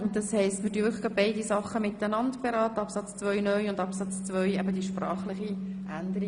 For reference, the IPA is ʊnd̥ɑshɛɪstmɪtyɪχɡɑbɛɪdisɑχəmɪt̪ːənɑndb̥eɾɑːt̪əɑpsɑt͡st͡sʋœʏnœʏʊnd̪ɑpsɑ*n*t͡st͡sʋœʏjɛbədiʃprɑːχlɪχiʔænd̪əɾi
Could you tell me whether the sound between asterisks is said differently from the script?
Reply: yes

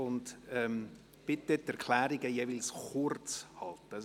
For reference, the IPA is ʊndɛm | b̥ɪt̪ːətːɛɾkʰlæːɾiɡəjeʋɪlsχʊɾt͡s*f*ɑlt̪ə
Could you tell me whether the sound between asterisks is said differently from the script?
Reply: yes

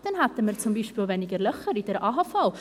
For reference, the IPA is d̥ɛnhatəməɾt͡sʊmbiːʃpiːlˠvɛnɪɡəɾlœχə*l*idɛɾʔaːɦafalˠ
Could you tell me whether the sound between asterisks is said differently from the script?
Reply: yes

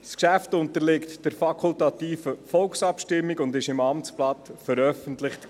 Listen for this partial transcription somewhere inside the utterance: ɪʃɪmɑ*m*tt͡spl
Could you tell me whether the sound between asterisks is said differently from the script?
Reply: no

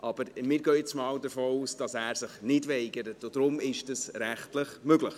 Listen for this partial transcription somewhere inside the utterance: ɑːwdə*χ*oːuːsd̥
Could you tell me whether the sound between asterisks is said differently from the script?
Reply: yes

